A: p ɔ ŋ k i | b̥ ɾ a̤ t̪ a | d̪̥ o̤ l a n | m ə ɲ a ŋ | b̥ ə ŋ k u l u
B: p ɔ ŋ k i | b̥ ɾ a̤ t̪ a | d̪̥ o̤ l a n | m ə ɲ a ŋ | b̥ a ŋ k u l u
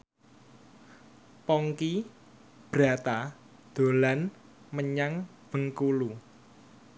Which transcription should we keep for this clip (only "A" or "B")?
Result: A